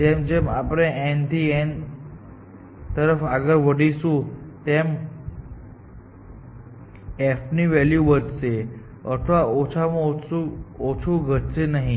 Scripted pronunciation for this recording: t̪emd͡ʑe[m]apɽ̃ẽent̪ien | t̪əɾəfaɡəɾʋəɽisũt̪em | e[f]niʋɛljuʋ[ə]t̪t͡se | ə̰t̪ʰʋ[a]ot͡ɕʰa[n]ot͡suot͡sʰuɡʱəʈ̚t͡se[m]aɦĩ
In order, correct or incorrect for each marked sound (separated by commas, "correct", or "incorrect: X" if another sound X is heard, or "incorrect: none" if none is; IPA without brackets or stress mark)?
correct, correct, correct, correct, incorrect: m, incorrect: n